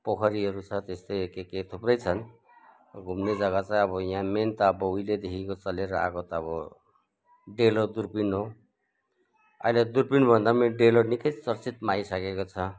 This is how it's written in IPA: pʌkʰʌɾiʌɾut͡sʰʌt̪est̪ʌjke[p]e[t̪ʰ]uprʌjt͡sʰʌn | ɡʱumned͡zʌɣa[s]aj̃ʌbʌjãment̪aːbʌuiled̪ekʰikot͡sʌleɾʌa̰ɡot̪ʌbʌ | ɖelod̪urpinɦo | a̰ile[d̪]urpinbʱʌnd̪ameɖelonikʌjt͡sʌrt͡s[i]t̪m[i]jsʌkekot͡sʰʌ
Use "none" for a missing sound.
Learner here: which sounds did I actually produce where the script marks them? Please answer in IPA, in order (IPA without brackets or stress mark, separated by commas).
k, t̪ʰ, t͡s, d̪, i, a